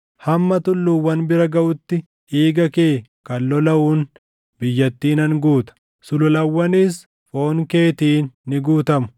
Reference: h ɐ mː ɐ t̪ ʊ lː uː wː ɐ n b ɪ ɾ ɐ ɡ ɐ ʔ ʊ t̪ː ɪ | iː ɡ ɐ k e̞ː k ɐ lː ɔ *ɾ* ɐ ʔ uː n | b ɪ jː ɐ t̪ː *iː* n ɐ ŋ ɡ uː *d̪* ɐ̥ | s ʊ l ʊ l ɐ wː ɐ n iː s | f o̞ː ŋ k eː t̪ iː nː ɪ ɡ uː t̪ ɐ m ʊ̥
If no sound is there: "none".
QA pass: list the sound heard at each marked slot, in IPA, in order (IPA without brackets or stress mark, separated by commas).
l, iː, t̪